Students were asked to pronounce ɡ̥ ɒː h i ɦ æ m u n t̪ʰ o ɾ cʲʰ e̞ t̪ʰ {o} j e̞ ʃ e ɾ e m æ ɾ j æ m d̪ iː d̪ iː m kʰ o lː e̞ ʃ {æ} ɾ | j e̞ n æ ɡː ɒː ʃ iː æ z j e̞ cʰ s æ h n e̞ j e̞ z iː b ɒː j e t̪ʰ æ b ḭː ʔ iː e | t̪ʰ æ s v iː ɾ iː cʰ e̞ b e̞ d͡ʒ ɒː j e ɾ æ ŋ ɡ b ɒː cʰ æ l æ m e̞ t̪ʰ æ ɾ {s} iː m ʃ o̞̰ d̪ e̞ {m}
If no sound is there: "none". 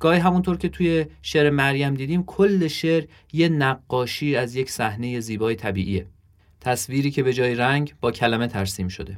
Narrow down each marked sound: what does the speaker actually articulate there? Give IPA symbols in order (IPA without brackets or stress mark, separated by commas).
u, e, s, none